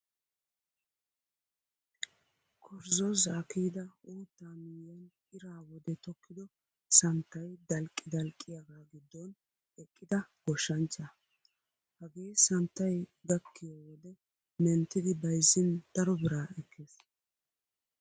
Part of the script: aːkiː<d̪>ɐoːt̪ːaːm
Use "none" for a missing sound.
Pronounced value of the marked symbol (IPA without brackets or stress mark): d̪